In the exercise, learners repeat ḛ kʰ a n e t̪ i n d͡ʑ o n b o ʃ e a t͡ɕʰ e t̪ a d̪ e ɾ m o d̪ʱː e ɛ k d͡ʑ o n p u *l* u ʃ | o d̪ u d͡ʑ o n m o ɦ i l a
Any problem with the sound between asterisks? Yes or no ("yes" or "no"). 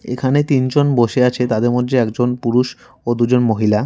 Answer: yes